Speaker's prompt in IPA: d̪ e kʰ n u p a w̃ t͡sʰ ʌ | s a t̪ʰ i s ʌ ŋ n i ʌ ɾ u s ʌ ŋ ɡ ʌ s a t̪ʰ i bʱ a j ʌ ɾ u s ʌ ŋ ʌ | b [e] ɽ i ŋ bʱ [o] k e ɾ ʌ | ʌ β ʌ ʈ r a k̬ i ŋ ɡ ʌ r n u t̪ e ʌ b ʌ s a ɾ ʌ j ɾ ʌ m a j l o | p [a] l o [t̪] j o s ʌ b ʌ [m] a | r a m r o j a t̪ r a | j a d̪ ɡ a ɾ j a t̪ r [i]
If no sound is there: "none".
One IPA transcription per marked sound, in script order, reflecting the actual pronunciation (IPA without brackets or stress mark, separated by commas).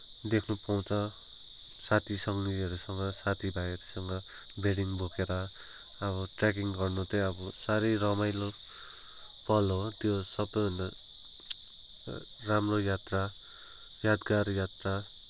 e, o, ʌ, t̪, n, a